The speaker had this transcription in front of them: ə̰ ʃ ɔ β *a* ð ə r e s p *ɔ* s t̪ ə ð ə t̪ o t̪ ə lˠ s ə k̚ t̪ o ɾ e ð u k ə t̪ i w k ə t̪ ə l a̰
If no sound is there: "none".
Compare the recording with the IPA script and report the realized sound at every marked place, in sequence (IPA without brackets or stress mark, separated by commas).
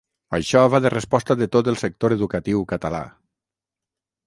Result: a, ɔ